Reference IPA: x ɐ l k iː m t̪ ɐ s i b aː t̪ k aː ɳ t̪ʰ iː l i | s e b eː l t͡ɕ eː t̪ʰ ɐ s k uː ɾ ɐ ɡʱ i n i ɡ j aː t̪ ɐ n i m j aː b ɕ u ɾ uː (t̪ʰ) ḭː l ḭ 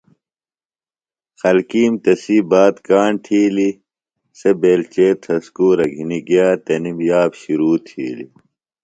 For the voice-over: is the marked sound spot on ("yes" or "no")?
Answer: yes